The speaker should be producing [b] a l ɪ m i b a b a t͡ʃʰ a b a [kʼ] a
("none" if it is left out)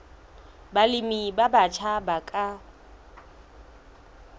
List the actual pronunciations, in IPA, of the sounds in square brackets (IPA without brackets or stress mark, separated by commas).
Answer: b, kʼ